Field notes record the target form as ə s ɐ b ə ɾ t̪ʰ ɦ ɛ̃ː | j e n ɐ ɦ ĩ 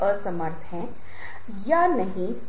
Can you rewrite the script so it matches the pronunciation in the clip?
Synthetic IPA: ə s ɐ m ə ɾ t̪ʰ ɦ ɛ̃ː | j a n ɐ ɦ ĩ